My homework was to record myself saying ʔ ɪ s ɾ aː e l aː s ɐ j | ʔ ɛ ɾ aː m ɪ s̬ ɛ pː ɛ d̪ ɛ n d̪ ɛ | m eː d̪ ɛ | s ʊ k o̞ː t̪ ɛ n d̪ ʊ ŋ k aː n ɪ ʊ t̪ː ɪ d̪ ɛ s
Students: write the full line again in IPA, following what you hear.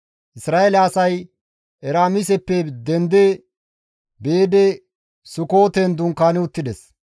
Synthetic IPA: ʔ ɪ s ɾ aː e l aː s ɐ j | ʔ ɛ ɾ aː m ɪ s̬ ɛ pː ɛ d̪ ɛ n d̪ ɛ | b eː d̪ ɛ | s ʊ k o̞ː t̪ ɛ n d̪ ʊ ŋ k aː n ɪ ʊ t̪ː ɪ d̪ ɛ s

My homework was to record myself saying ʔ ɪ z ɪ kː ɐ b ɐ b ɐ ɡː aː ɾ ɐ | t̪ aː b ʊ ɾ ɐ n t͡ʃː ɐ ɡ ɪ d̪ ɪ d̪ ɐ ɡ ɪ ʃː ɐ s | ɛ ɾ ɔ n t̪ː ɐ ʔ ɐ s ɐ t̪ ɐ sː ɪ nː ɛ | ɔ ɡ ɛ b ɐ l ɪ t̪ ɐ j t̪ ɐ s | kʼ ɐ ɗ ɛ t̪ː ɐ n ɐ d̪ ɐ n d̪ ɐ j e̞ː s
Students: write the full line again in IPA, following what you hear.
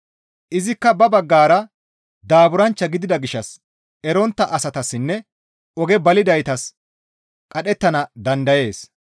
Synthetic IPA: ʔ ɪ z ɪ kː ɐ b ɐ b ɐ ɡː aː ɾ ɐ | d̪ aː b ʊ ɾ ɐ n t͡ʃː ɐ ɡ ɪ d̪ ɪ d̪ ɐ ɡ ɪ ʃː ɐ s | ɛ ɾ ɔ n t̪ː ɐ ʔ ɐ s ɐ t̪ ɐ sː ɪ nː ɛ | ɔ ɡ ɛ b ɐ l ɪ d̪ ɐ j t̪ ɐ s | kʼ ɐ ɗ ɛ t̪ː ɐ n ɐ d̪ ɐ n d̪ ɐ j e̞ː s

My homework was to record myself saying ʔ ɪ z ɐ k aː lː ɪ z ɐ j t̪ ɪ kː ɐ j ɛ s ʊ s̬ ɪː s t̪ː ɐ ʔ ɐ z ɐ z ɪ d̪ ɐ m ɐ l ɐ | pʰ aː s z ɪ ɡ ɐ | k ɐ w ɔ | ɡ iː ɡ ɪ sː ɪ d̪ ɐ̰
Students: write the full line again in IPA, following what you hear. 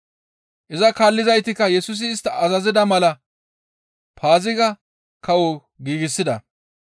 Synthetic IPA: ʔ ɪ z ɐ k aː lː ɪ z ɐ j t̪ ɪ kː ɐ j ɛ s ʊ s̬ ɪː s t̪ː ɐ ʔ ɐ z ɐ z ɪ d̪ ɐ m ɐ l ɐ | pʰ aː z ɪ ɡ ɐ | k ɐ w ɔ | ɡ iː ɡ ɪ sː ɪ d̪ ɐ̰

